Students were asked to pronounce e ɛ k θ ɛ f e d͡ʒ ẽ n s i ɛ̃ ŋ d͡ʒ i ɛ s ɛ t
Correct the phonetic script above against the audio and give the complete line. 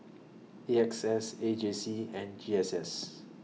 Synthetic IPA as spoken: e ɛ k s ɛ s e d͡ʒ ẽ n s i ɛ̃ n d͡ʒ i ɛ s ɛ s

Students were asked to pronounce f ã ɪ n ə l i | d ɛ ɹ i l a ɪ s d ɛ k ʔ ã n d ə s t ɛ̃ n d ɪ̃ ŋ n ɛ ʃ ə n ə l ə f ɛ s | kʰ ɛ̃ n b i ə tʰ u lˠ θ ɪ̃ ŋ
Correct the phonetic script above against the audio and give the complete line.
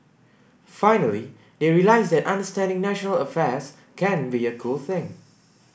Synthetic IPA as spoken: f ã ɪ n ə l i | d e ɹ i l a ɪ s d ɛ t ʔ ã n d ə s t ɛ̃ n d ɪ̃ ŋ n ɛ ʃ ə n ə l ə f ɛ s | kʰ ɛ̃ n b i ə kʰ u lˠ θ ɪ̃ ŋ

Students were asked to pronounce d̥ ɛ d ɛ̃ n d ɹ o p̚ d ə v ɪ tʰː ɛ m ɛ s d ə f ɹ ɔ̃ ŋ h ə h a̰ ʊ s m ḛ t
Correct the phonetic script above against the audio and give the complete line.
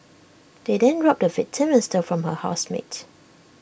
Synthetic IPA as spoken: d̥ e d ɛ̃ n d ɹ ɔ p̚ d ə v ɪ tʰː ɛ m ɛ s t ə f ɹ ɔ̃ m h ə h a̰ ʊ s m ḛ t

